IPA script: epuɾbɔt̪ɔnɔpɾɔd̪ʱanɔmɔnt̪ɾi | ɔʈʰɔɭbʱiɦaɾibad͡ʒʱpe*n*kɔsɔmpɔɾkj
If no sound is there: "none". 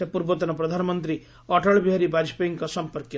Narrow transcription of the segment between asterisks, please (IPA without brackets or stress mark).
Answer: ŋ